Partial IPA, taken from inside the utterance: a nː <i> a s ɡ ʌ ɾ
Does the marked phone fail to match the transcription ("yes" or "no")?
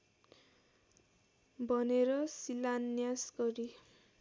yes